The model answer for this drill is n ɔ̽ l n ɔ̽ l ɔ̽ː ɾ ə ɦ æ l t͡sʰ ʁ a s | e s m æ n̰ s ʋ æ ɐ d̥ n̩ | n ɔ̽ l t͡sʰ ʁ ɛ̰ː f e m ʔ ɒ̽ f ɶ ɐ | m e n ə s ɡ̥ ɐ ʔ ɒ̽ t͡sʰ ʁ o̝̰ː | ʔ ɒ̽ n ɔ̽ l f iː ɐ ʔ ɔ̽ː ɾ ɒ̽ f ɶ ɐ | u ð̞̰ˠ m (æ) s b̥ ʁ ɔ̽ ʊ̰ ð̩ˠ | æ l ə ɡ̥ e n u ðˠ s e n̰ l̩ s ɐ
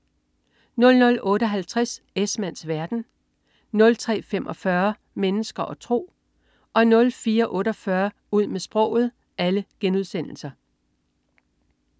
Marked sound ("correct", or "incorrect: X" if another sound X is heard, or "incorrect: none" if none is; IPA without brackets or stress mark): incorrect: e